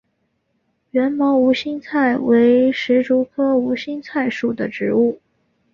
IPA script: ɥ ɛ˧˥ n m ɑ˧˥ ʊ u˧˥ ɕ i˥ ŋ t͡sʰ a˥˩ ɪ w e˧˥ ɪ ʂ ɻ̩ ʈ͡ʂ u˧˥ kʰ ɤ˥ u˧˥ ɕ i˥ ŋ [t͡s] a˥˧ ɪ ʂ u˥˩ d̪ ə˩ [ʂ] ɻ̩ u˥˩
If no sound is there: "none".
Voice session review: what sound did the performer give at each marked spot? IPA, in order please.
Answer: t͡sʰ, ʈ͡ʂ

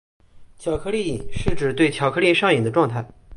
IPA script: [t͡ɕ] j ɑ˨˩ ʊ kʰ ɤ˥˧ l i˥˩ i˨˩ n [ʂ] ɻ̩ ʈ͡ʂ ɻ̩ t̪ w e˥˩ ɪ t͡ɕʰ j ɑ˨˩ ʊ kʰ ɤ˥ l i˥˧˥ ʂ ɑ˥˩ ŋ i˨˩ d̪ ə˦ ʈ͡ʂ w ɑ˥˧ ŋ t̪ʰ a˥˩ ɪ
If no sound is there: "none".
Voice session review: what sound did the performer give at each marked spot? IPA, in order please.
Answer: t͡ɕʰ, ʂ

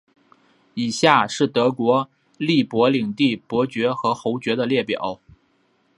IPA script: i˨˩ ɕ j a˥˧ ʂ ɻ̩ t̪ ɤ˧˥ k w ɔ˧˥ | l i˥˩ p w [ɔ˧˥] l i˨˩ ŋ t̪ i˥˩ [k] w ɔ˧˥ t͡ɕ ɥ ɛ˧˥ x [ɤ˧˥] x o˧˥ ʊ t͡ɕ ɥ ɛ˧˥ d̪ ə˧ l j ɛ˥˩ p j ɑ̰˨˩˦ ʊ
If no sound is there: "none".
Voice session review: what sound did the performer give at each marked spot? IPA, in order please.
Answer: ɔ˧˥, p, ɤ˧˥

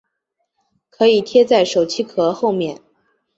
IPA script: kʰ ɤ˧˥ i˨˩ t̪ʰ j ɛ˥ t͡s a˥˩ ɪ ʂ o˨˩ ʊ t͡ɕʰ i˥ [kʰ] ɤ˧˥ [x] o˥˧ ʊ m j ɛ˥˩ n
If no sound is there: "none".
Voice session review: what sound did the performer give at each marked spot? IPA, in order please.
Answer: kʰ, x

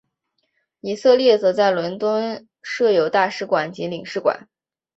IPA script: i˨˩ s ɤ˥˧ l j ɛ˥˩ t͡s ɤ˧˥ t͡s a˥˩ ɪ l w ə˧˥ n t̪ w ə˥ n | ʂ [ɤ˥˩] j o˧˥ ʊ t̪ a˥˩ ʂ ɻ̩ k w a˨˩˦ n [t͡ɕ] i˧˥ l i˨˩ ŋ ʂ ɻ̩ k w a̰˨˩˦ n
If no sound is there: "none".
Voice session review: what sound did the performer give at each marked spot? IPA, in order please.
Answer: ɤ˥˩, t͡ɕ

